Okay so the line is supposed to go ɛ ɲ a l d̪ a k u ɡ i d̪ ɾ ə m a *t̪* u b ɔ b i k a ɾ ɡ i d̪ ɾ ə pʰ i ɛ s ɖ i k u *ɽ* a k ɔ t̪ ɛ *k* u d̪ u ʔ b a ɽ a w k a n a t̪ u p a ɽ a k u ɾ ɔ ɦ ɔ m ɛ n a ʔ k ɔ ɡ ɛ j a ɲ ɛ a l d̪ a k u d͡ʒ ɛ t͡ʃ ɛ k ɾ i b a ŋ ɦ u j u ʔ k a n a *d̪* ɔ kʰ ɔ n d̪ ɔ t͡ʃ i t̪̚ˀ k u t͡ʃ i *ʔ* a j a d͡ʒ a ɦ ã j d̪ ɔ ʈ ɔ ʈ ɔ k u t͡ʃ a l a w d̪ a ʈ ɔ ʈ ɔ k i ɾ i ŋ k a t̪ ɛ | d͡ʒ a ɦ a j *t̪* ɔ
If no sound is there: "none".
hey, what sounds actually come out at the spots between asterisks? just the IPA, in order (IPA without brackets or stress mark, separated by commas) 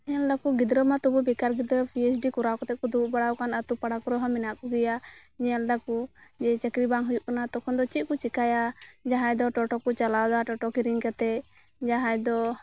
t̪, ɾ, k, t̪, k, d̪